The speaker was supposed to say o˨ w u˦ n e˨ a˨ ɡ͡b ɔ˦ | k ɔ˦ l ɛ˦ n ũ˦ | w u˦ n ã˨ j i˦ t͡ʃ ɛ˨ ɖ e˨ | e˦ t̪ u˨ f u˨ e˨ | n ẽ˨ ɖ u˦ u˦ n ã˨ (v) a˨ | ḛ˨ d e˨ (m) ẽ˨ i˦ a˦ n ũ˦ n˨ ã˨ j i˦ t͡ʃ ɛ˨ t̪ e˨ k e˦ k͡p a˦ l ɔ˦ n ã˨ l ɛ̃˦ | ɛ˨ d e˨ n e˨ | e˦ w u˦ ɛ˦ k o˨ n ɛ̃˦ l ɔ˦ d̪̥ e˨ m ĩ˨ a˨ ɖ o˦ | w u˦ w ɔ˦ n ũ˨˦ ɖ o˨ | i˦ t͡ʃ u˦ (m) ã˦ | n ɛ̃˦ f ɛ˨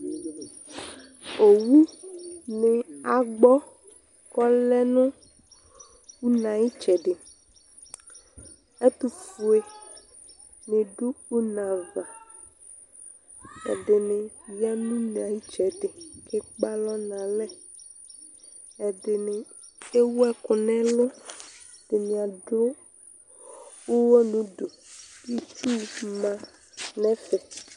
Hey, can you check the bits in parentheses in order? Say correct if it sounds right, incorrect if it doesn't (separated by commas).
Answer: correct, incorrect, correct